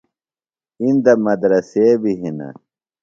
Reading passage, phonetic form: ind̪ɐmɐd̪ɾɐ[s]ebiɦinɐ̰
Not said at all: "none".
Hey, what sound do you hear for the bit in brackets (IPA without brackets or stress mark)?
s